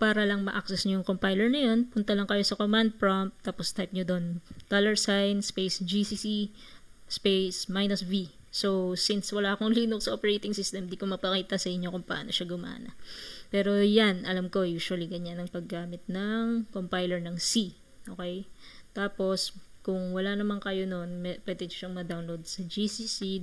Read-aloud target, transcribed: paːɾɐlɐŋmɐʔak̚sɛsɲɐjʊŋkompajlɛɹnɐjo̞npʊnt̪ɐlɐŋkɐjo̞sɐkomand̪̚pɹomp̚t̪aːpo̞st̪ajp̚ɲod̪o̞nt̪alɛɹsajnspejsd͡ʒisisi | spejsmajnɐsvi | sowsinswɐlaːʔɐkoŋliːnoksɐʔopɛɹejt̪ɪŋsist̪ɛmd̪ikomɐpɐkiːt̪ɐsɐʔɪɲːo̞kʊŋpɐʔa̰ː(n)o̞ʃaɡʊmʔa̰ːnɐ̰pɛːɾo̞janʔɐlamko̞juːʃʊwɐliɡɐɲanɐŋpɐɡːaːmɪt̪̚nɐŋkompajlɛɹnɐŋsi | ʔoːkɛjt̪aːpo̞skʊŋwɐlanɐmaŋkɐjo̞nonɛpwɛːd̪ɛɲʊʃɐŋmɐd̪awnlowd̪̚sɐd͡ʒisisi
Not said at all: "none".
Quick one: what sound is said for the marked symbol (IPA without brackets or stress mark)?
n